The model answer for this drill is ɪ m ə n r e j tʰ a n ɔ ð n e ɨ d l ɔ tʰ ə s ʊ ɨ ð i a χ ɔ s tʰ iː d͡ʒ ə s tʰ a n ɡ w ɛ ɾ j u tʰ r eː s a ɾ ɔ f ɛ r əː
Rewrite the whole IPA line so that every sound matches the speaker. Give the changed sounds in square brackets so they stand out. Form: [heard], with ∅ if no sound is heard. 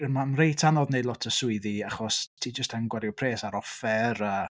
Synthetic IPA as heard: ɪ m [a] n r e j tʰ a n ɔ ð n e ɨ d l ɔ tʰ ə s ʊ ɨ ð i a χ ɔ s tʰ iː d͡ʒ ə s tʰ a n ɡ w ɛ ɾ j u [pʰ] r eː s a ɾ ɔ f ɛ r əː